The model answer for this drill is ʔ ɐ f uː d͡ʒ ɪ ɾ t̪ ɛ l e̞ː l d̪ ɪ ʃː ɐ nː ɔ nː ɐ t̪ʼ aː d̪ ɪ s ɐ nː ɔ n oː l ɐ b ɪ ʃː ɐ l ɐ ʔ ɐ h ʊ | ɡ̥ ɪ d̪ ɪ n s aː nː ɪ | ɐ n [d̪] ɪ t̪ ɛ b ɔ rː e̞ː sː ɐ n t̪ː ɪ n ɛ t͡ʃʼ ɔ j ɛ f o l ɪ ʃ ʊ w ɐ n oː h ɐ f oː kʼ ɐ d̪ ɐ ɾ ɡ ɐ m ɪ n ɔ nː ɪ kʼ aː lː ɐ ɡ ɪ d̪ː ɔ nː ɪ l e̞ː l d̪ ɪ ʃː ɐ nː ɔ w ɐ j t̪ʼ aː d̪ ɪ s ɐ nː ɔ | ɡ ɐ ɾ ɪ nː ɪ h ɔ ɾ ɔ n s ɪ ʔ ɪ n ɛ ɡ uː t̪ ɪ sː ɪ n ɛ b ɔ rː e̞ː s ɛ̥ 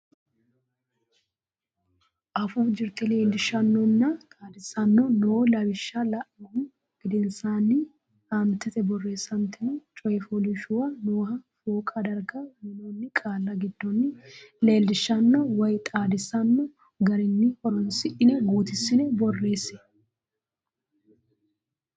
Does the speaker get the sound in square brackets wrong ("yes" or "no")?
yes